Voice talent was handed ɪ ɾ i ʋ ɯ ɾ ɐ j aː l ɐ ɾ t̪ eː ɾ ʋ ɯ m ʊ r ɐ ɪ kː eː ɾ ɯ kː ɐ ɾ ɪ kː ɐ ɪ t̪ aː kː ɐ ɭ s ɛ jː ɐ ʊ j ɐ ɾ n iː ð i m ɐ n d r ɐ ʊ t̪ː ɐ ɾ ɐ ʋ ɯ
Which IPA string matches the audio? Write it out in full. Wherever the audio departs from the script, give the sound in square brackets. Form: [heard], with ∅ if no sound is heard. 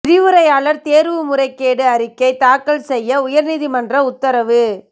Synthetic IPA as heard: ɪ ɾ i ʋ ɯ ɾ ɐ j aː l ɐ ɾ t̪ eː ɾ ʋ ɯ m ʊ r ɐ ɪ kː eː [ɽ] ɯ [∅] ɐ ɾ ɪ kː ɐ ɪ t̪ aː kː ɐ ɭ s ɛ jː ɐ ʊ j ɐ ɾ n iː ð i m ɐ n d r ɐ ʊ t̪ː ɐ ɾ ɐ ʋ ɯ